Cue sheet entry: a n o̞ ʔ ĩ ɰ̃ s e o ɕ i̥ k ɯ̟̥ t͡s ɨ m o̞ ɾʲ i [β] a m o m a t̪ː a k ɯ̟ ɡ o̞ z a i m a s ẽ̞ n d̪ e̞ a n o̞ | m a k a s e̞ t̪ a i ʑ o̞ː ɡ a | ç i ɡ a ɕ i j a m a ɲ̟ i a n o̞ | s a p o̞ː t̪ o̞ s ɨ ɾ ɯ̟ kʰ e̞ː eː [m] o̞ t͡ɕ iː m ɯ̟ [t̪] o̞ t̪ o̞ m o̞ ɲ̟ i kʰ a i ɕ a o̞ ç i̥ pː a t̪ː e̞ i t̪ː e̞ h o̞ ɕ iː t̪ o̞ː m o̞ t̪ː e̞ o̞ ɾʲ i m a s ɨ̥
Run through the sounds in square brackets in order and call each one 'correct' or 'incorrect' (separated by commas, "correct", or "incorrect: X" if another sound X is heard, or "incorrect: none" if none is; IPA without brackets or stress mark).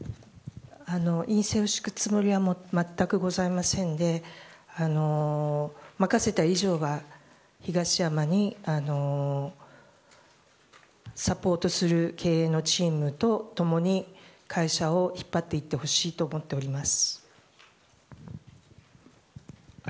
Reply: correct, incorrect: n, correct